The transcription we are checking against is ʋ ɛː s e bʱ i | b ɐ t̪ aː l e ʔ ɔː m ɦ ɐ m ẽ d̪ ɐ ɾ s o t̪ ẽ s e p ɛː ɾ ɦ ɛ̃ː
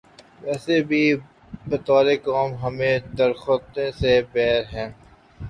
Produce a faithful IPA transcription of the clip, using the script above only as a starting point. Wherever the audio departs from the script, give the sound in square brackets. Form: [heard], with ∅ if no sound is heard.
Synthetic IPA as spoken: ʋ ɛː s e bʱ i | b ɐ t̪ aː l e [k] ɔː m ɦ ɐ m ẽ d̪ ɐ ɾ [x] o t̪ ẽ s e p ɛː ɾ ɦ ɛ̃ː

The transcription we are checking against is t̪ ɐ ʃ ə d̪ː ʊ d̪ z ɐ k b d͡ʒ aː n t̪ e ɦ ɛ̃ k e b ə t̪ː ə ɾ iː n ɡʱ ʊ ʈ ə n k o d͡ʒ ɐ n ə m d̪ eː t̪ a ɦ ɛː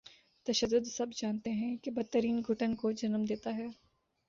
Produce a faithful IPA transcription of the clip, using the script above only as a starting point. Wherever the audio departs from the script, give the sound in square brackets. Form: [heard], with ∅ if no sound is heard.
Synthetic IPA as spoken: t̪ ɐ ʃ ə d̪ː ʊ d̪ [s] ɐ [∅] b d͡ʒ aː n t̪ e ɦ ɛ̃ k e b [ɐ] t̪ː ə ɾ iː n ɡʱ ʊ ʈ ə n k o d͡ʒ ɐ n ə m d̪ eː t̪ a ɦ ɛː

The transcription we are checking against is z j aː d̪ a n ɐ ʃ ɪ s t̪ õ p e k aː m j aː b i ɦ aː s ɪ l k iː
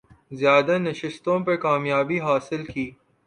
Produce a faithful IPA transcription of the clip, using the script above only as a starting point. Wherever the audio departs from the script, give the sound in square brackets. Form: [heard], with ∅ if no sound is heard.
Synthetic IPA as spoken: z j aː d̪ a n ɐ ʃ ɪ s t̪ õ p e k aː m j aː b i ɦ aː s ɪ l k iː

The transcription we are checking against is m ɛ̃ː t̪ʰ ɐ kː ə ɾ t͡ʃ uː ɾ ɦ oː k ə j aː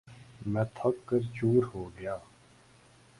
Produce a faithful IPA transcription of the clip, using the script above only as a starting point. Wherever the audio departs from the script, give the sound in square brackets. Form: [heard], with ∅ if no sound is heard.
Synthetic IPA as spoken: m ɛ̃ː t̪ʰ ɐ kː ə ɾ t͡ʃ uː ɾ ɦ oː [ɡ] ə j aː

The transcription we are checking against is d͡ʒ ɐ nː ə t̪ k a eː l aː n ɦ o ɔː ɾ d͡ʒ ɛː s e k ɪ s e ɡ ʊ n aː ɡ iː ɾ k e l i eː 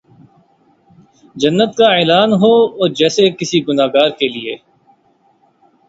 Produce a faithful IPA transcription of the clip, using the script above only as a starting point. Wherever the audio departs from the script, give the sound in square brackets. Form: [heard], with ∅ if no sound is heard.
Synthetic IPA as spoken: d͡ʒ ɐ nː ə t̪ k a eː l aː n ɦ o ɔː ɾ d͡ʒ ɛː s e k ɪ s [i] ɡ ʊ n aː ɡ [aː] ɾ k e l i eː

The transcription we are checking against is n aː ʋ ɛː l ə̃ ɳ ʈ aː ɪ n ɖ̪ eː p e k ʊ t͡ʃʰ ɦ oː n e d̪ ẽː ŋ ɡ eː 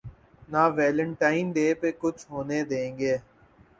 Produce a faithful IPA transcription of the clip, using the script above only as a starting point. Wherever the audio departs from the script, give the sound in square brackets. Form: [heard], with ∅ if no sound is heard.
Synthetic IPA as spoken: n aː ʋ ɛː l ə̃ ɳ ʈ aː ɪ n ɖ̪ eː p e k ʊ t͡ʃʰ ɦ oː n e d̪ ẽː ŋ ɡ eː

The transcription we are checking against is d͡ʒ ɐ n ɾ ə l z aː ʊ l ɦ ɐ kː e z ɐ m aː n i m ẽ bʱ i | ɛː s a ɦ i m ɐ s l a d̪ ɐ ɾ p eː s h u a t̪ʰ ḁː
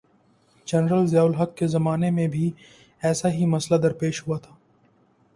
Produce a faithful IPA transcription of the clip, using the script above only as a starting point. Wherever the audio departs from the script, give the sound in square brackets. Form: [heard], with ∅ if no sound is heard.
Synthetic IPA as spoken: d͡ʒ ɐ n ɾ ə l z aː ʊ l ɦ ɐ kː e z ɐ m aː n [e] m ẽ bʱ i | ɛː s a ɦ i m ɐ s l a d̪ ɐ ɾ p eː [ʃ] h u a t̪ʰ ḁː

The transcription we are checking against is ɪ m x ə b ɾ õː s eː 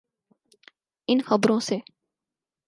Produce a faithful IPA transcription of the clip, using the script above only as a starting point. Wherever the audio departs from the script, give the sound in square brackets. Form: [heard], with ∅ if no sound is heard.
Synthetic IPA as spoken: ɪ [n] x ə b ɾ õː s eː

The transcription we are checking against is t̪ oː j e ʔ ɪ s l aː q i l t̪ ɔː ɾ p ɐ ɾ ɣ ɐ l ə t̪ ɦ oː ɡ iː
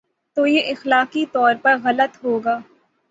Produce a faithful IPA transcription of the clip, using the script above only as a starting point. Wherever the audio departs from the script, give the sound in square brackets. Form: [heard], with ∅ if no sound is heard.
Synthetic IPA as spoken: t̪ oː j e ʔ ɪ [x] l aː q i [∅] t̪ ɔː ɾ p ɐ ɾ ɣ ɐ l ə t̪ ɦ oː ɡ [aː]

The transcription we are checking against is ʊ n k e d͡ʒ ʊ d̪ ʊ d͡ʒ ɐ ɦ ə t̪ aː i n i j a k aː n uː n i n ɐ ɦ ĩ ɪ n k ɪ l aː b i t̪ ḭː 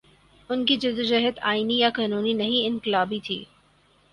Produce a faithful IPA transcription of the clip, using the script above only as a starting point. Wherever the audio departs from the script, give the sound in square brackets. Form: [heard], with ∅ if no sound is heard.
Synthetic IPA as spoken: ʊ n k [i] d͡ʒ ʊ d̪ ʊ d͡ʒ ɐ ɦ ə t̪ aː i n i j a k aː n uː n i n ɐ ɦ ĩ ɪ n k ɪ l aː b i [t̪ʰ] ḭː

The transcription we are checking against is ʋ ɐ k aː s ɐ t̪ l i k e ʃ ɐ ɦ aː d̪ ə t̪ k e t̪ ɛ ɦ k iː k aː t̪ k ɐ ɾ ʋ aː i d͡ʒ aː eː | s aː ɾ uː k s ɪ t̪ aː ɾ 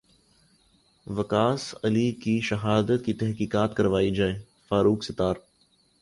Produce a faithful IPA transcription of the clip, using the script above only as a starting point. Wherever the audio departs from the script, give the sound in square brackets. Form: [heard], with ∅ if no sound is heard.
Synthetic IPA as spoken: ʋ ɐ k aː s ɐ [∅] l i k [i] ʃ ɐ ɦ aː d̪ ə t̪ k [i] t̪ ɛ ɦ k iː k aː t̪ k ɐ ɾ ʋ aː i d͡ʒ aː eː | [f] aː ɾ uː k s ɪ t̪ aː ɾ

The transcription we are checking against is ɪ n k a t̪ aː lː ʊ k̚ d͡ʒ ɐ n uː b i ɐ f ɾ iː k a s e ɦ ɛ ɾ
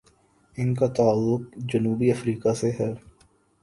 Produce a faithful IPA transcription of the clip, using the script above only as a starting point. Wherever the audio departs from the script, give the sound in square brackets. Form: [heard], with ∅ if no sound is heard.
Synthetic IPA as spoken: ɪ n k a t̪ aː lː ʊ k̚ d͡ʒ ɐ n uː b i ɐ f ɾ iː k a s e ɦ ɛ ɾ

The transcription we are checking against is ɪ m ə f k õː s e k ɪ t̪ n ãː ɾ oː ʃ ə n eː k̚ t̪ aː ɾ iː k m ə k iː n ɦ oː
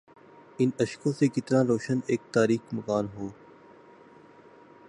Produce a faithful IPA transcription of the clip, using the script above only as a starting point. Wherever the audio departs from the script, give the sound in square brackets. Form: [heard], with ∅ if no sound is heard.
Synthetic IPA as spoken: ɪ [n] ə [ʃ] k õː s e k ɪ t̪ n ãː ɾ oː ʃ ə n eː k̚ t̪ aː ɾ iː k m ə k [aː] n ɦ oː

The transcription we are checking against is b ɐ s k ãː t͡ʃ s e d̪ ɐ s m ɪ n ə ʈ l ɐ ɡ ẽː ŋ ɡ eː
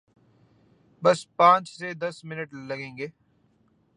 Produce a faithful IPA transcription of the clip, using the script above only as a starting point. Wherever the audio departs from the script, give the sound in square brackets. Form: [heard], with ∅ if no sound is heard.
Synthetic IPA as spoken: b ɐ s [p] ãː t͡ʃ s e d̪ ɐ s m ɪ n ə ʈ l ɐ ɡ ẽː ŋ ɡ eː

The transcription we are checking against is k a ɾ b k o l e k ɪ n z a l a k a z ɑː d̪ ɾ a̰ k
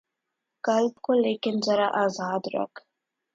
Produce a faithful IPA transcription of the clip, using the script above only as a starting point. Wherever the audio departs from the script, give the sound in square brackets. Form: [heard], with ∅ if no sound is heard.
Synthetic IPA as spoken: k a [l] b k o l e k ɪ n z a [ɾ] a [ʔ] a z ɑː d̪ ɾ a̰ k

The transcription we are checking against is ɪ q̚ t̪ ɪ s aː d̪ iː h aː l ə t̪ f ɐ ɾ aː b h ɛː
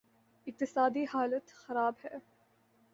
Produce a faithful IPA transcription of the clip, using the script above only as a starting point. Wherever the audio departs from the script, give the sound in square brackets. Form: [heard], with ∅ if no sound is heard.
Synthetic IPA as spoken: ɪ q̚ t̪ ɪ s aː d̪ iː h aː l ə t̪ [x] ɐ ɾ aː b h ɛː

